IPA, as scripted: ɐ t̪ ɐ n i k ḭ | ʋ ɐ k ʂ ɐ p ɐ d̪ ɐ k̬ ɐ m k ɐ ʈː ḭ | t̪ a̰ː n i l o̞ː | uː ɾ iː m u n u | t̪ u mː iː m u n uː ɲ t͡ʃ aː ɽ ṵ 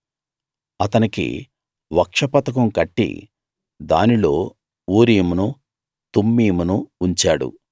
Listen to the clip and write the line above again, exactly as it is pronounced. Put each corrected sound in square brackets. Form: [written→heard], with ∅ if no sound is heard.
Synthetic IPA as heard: ɐ t̪ ɐ n i k ḭ | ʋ ɐ k ʂ ɐ p ɐ [d̪→t̪] ɐ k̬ ɐ m k ɐ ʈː ḭ | [t̪→d̪] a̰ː n i l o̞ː | uː ɾ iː m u n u | t̪ u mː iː m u n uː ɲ t͡ʃ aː ɽ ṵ

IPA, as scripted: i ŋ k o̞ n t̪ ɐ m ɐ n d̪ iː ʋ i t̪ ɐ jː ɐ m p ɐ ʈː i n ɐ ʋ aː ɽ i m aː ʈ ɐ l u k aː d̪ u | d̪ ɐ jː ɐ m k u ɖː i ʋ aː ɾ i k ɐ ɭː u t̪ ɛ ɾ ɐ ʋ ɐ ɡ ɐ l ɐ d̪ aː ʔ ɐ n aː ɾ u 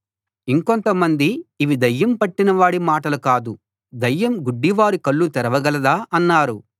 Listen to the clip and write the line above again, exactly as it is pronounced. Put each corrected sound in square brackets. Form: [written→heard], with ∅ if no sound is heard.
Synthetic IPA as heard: i ŋ k o̞ n t̪ ɐ m ɐ n d̪ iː ʋ i [t̪→d̪] ɐ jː ɐ m p ɐ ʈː i n ɐ ʋ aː ɽ i m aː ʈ ɐ l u k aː d̪ u | d̪ ɐ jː ɐ m [k→ɡ] u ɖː i ʋ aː ɾ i k ɐ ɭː u t̪ ɛ ɾ ɐ ʋ ɐ ɡ ɐ l ɐ d̪ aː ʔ ɐ [n→nː] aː ɾ u

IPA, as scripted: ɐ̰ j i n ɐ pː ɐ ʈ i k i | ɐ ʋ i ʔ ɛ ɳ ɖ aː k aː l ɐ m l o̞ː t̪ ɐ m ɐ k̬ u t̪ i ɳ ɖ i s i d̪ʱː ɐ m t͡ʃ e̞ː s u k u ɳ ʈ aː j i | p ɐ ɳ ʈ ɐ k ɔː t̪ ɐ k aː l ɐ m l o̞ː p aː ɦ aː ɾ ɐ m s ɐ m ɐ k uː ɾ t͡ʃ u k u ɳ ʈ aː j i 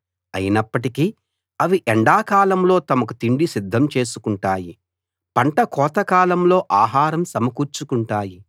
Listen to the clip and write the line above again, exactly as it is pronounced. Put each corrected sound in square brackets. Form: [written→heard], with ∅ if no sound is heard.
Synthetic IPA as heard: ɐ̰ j i n ɐ pː ɐ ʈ i k i | ɐ ʋ i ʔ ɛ ɳ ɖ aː k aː l ɐ m l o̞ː t̪ ɐ m ɐ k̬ u t̪ i ɳ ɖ i s i d̪ʱː ɐ m t͡ʃ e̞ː s u k u ɳ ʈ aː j i | p ɐ ɳ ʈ ɐ k ɔː t̪ ɐ k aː l ɐ m l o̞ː [p→ʔ] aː ɦ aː ɾ ɐ m s ɐ m ɐ k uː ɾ t͡ʃ u k u ɳ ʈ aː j i

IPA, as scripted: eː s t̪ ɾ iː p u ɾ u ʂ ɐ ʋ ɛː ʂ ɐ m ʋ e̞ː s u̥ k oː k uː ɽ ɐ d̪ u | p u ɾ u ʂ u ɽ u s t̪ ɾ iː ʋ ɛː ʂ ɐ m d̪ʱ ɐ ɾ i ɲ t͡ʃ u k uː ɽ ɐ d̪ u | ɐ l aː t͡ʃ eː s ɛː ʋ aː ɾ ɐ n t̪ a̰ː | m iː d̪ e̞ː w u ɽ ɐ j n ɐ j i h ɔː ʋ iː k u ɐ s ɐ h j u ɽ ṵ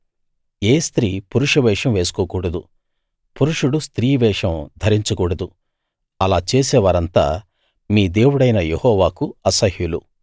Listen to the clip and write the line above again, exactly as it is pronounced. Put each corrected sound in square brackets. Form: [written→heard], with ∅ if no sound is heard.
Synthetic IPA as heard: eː s t̪ ɾ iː p u ɾ u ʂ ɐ ʋ ɛː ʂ ɐ m ʋ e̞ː s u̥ k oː k uː ɽ ɐ d̪ u | p u ɾ u ʂ u ɽ u s t̪ ɾ iː ʋ ɛː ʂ ɐ m d̪ʱ ɐ ɾ i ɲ t͡ʃ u k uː ɽ ɐ d̪ u | ɐ l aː t͡ʃ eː s ɛː ʋ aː ɾ ɐ n t̪ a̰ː | m iː d̪ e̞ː w u ɽ ɐ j n ɐ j [i→e] h ɔː ʋ [iː→aː] k u ɐ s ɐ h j u [ɽ→l] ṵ

